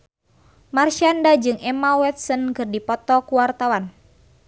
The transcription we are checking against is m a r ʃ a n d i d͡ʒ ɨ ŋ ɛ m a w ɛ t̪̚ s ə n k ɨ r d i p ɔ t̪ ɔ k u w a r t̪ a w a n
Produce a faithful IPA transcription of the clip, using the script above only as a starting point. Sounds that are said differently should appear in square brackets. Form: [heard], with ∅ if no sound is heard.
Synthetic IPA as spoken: m a r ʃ a n d [a] d͡ʒ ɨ ŋ ɛ m a w ɛ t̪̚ s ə n k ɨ r d i p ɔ t̪ ɔ k u w a r t̪ a w a n